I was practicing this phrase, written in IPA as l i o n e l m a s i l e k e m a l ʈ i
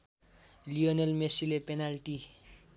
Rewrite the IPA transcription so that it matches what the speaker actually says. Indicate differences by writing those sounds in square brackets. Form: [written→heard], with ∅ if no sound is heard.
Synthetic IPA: l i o n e l m [a→e] s i l e [k→p] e [m→n] a l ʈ i